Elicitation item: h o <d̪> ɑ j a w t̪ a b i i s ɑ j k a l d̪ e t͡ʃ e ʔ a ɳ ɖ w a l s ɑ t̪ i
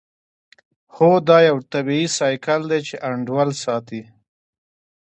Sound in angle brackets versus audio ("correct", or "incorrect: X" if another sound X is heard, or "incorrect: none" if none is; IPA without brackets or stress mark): correct